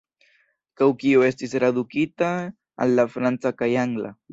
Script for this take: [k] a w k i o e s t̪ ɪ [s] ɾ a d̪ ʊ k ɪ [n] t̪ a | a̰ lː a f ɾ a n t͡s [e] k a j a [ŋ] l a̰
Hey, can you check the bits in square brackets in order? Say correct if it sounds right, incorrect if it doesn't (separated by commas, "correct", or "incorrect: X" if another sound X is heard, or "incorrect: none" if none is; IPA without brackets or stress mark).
correct, correct, incorrect: none, incorrect: a, correct